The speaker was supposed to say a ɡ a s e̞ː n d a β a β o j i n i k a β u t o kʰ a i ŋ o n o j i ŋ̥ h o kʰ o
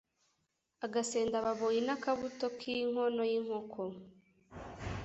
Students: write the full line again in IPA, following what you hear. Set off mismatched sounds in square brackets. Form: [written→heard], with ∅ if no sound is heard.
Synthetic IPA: a ɡ a s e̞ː n d a β a β o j i n [i→a] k a β u t o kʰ [a→i] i ŋ o n o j i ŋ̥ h o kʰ o